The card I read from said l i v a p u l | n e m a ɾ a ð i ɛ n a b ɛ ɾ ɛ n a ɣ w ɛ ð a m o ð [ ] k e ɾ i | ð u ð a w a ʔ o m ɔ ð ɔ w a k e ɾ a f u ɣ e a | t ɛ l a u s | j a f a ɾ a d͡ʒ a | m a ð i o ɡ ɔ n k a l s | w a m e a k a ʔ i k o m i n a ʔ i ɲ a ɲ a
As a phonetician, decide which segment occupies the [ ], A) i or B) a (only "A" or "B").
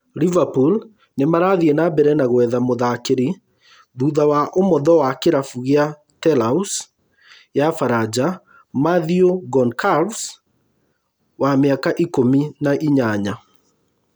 B